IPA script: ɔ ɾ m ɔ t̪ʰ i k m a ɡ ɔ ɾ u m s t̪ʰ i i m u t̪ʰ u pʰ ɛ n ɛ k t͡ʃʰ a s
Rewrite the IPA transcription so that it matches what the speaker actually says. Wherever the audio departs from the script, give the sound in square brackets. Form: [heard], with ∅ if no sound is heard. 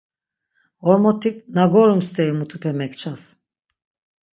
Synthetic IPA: ɔ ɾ m ɔ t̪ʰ i k [n] a ɡ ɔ ɾ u m s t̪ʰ [ɛ] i m u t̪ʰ u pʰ ɛ [m] ɛ k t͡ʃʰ a s